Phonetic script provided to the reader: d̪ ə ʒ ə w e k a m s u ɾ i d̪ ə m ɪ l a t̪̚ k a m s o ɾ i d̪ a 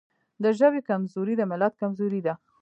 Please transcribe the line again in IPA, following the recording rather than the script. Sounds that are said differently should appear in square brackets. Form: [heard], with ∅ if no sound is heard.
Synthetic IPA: d̪ ə ʒ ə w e k a m [z] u ɾ i d̪ ə m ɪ l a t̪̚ k a m [z] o ɾ i d̪ a